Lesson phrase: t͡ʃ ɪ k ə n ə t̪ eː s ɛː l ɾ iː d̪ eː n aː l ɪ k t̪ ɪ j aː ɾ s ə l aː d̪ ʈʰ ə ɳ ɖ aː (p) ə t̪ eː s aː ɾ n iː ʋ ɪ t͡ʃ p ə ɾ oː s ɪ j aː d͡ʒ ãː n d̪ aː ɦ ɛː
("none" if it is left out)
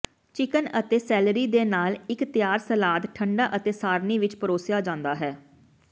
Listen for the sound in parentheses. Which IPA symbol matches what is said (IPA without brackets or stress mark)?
ʔ